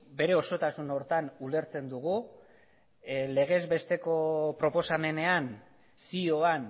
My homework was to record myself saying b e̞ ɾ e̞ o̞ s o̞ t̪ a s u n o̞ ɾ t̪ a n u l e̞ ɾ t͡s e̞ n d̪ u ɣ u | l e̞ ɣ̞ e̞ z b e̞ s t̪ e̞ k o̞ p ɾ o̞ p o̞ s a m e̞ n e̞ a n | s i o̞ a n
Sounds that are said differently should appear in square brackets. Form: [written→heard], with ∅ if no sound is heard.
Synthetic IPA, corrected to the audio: b e̞ ɾ e̞ o̞ s o̞ t̪ a s u n o̞ ɾ t̪ a n u l e̞ ɾ t͡s e̞ n d̪ u ɣ u | l e̞ ɣ̞ e̞ z b e̞ s t̪ e̞ k o̞ p ɾ o̞ p o̞ s a m e̞ n e̞ a n | s i o̞ a n

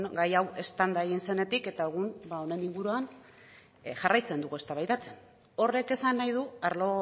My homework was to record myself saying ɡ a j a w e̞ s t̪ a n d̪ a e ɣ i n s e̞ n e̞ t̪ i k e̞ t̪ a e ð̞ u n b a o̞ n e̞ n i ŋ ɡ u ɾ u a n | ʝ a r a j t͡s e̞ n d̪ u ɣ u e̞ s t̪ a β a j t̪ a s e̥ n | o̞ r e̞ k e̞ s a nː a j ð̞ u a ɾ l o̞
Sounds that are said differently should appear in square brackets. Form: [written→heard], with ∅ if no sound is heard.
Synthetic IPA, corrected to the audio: ɡ a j a w e̞ s t̪ a n d̪ a e ɣ i n s e̞ n e̞ t̪ i k e̞ t̪ a e [ð̞→ɣ̞] u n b a o̞ n e̞ n i ŋ ɡ u ɾ u a n | ʝ a r a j t͡s e̞ n d̪ u ɣ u e̞ s t̪ a β a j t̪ a [s→t͡s] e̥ n | o̞ r e̞ k e̞ s a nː a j ð̞ u a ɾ l o̞

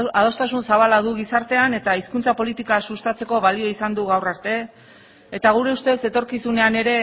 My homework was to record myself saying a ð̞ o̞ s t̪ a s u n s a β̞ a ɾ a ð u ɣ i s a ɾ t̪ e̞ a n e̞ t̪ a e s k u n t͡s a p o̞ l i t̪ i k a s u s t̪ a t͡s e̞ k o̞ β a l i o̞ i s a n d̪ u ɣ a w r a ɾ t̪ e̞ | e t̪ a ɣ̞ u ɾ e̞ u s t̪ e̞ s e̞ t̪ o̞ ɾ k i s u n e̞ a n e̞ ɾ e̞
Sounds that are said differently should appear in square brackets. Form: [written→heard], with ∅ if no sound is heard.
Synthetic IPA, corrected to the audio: a ð̞ o̞ s t̪ a s u n s a β̞ a [ɾ→l] a ð u ɣ i s a ɾ t̪ e̞ a n e̞ t̪ a [e→i] s k u n t͡s a p o̞ l i t̪ i k a s u s t̪ a t͡s e̞ k o̞ β a l i o̞ i s a n d̪ u ɣ a w r a ɾ t̪ e̞ | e t̪ a ɣ̞ u ɾ e̞ u s t̪ e̞ s e̞ t̪ o̞ ɾ k i s u n e̞ a n e̞ ɾ e̞

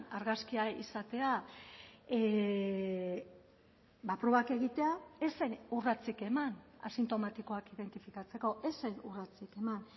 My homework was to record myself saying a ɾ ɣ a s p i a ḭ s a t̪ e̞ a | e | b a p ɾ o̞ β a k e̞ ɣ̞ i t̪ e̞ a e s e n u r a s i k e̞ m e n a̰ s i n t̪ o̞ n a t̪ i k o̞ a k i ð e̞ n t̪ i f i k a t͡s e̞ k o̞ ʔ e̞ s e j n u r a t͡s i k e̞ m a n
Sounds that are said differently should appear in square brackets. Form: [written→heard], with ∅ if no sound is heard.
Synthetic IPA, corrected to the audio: a ɾ ɣ a s [p→k] i a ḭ s a t̪ e̞ a | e | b a p ɾ o̞ β a k e̞ ɣ̞ i t̪ e̞ a e s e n u r a [s→t͡s] i k e̞ m [e→a] n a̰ s i n t̪ o̞ [n→m] a t̪ i k o̞ a k i ð e̞ n t̪ i f i k a t͡s e̞ k o̞ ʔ e̞ s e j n u r a t͡s i k e̞ m a n

